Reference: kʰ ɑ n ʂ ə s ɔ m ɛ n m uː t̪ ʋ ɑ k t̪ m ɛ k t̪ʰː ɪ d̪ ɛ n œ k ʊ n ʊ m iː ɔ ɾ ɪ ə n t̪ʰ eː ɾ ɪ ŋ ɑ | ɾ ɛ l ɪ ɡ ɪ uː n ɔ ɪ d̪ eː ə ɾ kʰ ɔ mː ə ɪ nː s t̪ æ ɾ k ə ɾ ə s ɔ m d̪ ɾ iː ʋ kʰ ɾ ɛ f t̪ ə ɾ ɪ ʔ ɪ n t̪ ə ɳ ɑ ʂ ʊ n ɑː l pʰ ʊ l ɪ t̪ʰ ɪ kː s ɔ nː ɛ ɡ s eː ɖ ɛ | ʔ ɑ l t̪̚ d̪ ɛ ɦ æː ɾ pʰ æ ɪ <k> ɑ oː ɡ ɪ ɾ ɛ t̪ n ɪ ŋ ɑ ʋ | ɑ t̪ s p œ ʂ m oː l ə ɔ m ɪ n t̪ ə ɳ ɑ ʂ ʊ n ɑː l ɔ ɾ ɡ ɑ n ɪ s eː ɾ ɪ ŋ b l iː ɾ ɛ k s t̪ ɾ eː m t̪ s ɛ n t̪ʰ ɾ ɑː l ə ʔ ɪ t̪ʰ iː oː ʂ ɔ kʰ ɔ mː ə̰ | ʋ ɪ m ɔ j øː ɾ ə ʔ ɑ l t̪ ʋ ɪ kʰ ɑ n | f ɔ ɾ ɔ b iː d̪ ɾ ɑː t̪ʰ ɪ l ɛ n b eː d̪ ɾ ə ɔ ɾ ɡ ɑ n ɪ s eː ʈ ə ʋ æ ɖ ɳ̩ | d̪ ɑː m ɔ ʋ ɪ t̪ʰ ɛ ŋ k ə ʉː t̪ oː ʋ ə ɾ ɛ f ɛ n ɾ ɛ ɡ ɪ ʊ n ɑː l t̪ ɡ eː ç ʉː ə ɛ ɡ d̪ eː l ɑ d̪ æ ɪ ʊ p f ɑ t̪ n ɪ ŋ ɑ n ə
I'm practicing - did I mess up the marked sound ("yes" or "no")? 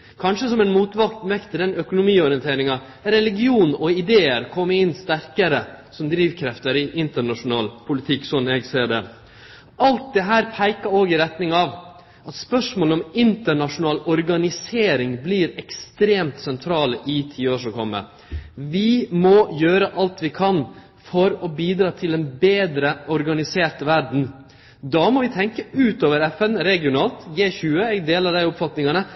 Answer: no